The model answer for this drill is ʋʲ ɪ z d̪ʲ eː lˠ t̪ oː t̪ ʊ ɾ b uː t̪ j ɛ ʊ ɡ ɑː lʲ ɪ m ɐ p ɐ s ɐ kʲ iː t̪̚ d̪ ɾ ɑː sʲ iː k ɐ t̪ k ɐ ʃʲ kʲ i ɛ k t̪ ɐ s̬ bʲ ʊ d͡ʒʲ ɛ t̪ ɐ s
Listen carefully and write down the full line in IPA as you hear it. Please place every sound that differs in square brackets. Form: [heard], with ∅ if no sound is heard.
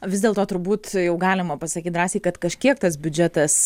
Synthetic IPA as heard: ʋʲ ɪ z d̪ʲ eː lˠ t̪ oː t̪ ʊ ɾ b uː t̪ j ɛ ʊ ɡ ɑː lʲ ɪ m ɐ p ɐ s ɐ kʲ iː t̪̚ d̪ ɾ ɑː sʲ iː k ɐ t̪ k ɐ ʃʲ kʲ i ɛ k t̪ ɐ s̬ bʲ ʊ d͡ʒʲ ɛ t̪ ɐ s